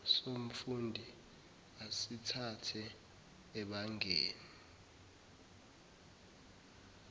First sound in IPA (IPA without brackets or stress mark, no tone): s